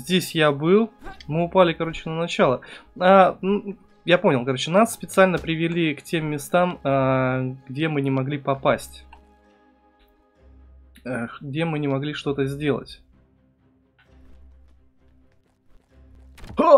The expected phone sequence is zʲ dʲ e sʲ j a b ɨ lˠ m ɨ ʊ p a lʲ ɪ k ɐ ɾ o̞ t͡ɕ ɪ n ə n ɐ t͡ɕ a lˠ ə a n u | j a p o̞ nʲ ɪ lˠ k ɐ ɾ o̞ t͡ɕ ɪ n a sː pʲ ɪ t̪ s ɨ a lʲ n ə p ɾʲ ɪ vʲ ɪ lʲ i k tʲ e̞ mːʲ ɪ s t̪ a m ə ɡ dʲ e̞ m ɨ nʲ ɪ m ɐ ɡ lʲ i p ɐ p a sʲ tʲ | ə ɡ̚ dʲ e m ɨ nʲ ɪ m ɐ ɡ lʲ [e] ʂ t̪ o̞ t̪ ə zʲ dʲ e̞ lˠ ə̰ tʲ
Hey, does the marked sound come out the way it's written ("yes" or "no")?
no